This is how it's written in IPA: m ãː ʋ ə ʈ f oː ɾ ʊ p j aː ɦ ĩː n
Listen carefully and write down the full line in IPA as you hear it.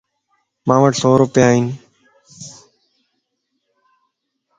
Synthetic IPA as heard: m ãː ʋ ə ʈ s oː ɾ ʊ p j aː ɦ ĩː n